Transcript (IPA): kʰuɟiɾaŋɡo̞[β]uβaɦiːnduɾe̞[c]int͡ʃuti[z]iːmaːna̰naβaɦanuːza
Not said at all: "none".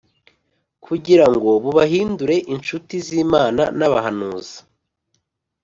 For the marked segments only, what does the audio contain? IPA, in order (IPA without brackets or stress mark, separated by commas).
β, ʔ, z